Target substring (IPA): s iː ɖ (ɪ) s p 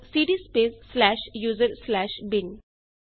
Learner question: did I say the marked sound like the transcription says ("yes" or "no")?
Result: no